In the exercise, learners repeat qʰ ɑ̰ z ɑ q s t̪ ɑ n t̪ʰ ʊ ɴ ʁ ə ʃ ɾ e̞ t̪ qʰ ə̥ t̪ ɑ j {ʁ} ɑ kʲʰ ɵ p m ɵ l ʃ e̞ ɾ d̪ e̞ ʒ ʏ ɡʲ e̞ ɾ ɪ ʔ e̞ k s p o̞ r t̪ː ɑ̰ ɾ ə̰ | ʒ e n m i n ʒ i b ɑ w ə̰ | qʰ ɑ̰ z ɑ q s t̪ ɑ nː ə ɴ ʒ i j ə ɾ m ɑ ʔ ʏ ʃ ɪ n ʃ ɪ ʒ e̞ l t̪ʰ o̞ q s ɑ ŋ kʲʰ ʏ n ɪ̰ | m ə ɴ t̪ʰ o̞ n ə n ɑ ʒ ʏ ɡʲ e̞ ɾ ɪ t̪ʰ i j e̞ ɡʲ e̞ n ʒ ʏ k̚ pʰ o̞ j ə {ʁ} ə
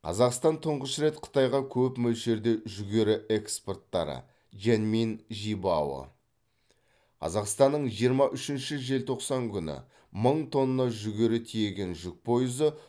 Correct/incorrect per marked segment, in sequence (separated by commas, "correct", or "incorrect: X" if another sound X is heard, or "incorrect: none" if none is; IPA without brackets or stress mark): correct, incorrect: z